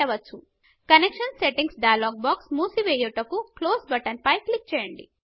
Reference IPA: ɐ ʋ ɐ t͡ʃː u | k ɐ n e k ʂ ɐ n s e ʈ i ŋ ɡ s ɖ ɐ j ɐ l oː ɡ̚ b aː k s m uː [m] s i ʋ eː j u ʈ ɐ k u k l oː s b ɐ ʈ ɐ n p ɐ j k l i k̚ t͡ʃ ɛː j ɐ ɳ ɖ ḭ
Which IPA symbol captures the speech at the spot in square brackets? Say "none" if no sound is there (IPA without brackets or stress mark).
none